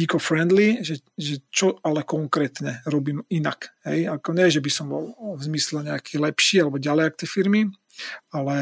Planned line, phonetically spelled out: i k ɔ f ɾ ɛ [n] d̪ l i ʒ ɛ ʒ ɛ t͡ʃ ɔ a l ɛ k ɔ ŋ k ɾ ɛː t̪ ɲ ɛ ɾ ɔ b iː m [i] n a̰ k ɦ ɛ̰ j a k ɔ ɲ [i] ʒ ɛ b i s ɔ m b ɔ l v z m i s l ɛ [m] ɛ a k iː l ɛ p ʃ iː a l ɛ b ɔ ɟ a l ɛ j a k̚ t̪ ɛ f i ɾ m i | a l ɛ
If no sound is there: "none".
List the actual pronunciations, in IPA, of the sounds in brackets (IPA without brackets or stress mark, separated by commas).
n, i, ɛ, ɲ